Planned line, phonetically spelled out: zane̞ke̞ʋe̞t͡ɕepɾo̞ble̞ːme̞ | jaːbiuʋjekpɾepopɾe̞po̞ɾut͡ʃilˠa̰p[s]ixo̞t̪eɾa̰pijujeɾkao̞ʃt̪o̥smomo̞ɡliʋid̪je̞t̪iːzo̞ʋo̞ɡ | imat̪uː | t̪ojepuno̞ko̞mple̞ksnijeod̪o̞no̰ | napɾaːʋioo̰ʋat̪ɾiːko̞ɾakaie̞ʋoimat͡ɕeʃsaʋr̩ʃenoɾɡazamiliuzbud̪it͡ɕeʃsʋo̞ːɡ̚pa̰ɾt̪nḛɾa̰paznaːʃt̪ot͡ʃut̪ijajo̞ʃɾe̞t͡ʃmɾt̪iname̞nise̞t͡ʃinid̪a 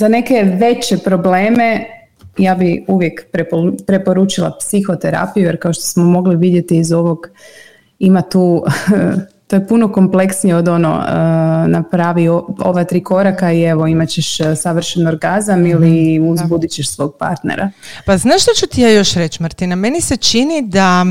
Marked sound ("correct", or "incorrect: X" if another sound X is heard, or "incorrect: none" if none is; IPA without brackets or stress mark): correct